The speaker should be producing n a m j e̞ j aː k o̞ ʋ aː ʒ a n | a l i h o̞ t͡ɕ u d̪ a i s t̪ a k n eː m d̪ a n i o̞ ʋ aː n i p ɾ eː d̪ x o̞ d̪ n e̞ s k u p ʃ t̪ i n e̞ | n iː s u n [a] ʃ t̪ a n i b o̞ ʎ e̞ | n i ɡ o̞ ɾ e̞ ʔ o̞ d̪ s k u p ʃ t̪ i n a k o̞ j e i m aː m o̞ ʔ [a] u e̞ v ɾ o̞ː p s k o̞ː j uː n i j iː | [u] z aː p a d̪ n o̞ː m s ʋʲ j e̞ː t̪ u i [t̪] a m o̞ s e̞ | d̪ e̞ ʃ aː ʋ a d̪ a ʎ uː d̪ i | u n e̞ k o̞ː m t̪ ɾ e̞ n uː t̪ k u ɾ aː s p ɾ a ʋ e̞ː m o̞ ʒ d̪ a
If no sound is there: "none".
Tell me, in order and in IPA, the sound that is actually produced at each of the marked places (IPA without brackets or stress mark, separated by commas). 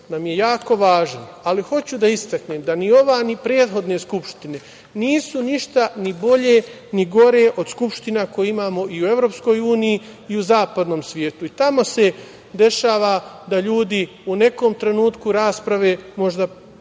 i, i, u, t̪